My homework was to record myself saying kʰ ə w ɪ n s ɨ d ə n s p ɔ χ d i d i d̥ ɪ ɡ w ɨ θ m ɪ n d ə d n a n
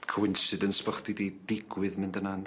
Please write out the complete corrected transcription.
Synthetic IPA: kʰ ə w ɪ n s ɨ d ə n s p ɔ χ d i d i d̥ ɪ ɡ w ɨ ð m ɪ n d ə n a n